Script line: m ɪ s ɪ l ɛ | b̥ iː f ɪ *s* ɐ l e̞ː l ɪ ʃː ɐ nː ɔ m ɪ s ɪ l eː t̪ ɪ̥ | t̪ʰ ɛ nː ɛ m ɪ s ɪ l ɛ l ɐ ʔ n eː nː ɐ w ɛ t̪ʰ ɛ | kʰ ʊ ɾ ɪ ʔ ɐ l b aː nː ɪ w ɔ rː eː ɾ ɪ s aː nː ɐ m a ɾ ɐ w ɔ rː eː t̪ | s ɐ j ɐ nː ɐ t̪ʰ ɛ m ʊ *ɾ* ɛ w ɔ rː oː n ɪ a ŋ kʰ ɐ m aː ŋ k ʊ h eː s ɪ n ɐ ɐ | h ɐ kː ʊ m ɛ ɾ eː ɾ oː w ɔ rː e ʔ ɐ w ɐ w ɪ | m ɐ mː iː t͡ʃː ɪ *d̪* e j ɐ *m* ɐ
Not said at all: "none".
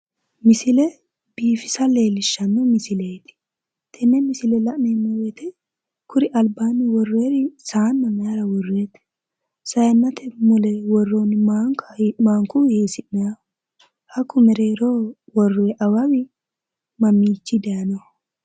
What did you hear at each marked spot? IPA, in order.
s, l, d̪, n

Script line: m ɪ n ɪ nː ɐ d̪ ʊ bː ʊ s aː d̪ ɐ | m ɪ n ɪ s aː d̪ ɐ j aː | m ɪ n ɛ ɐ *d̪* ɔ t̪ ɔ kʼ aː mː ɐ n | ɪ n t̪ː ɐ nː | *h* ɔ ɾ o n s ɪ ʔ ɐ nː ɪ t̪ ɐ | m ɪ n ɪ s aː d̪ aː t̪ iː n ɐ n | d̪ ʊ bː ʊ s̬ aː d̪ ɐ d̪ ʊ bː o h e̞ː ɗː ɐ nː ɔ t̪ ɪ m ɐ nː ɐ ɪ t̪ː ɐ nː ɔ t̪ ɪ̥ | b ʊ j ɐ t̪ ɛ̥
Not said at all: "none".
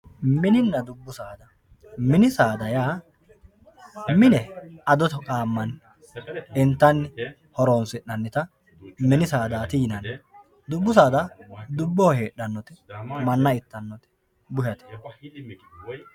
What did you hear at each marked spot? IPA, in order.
d̪, h

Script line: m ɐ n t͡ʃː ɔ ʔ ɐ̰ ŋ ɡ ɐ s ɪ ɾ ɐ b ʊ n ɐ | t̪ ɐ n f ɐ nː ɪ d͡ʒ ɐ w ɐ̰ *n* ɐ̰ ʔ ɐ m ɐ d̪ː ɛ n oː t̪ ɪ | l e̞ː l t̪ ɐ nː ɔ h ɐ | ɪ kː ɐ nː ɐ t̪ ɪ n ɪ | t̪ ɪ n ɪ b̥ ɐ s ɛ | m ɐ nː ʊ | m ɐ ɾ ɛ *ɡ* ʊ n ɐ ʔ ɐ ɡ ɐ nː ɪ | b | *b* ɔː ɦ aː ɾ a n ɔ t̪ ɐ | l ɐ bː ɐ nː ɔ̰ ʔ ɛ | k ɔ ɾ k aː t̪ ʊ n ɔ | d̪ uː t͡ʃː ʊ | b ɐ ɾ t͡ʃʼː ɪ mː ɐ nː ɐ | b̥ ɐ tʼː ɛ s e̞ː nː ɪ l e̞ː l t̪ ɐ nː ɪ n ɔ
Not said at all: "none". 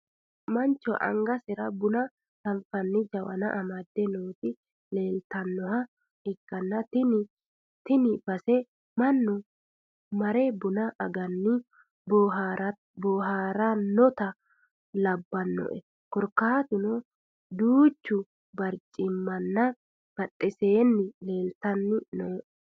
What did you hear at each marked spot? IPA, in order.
n, b, b

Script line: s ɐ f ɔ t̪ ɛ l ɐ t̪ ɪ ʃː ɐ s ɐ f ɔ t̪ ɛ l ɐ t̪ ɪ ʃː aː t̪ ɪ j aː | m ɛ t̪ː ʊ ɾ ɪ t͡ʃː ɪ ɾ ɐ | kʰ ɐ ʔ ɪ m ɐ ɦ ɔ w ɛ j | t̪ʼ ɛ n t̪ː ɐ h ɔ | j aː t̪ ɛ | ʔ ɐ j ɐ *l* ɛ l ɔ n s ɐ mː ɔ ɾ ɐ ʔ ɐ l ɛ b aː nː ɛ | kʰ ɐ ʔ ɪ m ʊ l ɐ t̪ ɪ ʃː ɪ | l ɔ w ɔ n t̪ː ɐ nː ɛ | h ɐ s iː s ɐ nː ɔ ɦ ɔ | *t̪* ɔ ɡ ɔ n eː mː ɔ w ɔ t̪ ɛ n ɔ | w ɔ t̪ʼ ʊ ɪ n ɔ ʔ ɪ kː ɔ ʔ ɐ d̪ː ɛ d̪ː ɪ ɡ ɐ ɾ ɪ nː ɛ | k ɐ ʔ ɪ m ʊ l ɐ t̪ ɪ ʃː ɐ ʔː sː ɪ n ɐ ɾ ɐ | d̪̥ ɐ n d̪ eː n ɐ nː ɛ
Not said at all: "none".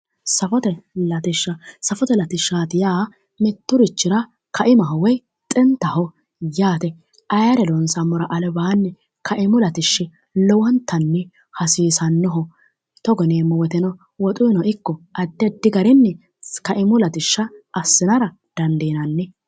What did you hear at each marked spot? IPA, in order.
ɾ, t̪

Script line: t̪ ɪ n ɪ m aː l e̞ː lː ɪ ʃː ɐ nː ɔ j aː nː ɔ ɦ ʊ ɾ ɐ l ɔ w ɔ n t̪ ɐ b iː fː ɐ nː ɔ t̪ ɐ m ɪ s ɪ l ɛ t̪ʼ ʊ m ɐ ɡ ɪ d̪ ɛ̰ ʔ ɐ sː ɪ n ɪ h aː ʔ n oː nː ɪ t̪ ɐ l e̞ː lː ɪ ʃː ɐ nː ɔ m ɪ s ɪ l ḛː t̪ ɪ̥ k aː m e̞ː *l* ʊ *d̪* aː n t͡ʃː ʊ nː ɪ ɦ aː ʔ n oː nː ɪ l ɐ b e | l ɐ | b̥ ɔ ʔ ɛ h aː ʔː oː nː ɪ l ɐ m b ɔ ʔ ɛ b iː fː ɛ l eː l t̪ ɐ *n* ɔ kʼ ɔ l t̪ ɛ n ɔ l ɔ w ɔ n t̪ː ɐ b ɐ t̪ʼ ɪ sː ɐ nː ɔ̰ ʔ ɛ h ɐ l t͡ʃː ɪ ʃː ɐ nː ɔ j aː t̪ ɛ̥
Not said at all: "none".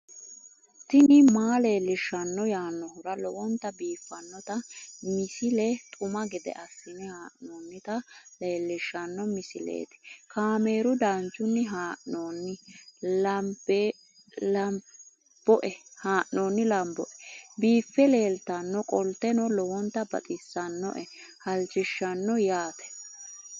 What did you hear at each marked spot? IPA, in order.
ɾ, d̪, nː

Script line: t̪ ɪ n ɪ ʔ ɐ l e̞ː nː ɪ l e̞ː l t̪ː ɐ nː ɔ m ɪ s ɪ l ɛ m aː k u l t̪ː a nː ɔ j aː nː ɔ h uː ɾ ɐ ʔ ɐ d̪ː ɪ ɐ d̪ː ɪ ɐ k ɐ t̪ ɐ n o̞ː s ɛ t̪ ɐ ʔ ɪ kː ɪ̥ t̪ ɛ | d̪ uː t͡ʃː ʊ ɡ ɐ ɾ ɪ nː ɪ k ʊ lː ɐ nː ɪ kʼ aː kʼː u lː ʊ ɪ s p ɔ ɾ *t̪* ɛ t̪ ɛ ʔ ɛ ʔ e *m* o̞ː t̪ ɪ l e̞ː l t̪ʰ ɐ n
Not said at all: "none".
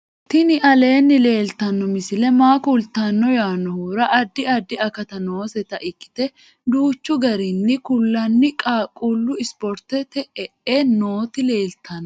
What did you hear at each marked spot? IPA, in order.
t̪, n

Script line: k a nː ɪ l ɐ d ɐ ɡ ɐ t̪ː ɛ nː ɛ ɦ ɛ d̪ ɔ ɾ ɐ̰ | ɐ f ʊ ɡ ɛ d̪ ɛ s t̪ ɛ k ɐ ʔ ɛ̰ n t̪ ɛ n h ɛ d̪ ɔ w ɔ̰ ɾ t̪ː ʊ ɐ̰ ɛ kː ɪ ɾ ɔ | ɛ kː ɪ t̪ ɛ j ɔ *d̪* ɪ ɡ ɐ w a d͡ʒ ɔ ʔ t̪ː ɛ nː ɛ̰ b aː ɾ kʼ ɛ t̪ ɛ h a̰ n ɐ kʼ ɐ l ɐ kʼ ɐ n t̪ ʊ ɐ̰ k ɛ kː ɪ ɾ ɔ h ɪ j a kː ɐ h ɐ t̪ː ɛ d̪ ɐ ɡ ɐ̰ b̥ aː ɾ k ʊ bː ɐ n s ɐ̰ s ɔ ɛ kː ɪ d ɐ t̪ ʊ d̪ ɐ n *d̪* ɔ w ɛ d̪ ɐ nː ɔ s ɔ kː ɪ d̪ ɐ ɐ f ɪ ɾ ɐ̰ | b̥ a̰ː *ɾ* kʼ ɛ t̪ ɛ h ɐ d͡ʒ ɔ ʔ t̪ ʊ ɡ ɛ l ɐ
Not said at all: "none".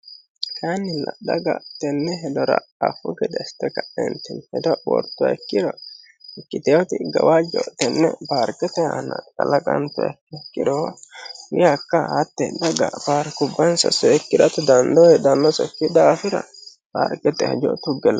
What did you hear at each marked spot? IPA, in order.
t̪, d̪, ɾ

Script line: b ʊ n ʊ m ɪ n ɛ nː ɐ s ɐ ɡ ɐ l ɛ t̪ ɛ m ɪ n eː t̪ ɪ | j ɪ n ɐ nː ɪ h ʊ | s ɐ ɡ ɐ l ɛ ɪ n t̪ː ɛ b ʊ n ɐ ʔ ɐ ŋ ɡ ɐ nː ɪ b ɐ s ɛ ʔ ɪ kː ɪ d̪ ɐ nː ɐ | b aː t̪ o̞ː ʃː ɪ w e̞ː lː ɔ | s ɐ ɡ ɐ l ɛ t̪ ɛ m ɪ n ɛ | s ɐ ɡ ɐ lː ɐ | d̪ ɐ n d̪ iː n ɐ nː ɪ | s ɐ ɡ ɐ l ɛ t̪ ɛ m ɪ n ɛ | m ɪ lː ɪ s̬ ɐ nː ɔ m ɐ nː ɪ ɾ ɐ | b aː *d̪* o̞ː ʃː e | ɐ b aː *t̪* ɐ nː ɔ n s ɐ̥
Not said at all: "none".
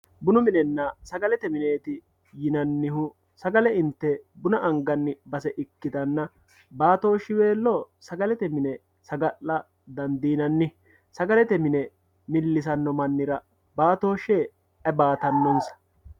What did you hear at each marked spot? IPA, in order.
t̪, t̪

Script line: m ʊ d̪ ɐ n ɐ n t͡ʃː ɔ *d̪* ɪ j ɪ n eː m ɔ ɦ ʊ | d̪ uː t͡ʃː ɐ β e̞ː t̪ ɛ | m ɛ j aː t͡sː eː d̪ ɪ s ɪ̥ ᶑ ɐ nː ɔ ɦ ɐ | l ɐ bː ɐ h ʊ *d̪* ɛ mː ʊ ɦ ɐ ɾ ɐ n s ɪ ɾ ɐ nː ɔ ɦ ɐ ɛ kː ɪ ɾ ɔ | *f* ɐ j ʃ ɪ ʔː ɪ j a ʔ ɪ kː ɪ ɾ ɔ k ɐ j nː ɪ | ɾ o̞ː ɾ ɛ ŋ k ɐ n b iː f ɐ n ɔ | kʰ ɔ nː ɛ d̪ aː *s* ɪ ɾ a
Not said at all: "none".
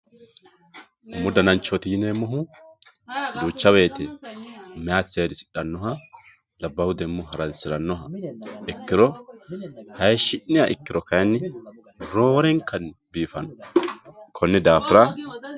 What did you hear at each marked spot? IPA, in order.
t̪, d̪, h, f

